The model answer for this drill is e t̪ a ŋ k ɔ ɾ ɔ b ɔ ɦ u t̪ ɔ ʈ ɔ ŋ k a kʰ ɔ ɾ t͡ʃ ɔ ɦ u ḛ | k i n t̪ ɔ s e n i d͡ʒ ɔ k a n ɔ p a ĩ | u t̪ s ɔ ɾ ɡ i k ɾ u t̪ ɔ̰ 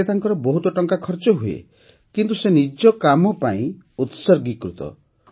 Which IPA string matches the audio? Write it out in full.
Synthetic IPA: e t̪ a ŋ k ɔ ɾ ɔ b ɔ ɦ u t̪ ɔ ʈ ɔ ŋ k a kʰ ɔ ɾ t͡ʃ ɔ ɦ u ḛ | k i n t̪ u s e n i d͡ʒ ɔ k a m ɔ p a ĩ | u t̪ s ɔ ɾ ɡ i k ɾ u t̪ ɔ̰